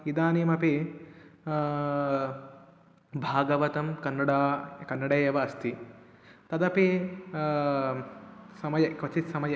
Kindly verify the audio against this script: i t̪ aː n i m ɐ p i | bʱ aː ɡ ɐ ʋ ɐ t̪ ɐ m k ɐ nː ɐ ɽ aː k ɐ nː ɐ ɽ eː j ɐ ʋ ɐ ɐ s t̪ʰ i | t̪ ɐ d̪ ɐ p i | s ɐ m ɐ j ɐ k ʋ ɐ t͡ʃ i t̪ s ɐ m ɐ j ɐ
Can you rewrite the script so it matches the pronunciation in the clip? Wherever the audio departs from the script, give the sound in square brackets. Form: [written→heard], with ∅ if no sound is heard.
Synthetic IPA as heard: i [t̪→d̪] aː n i m ɐ p i | bʱ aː ɡ ɐ ʋ ɐ t̪ ɐ m k ɐ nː ɐ ɽ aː k ɐ nː ɐ ɽ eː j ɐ ʋ ɐ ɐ s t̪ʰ i | t̪ ɐ d̪ ɐ p i | s ɐ m ɐ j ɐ k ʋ ɐ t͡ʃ i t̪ s ɐ m ɐ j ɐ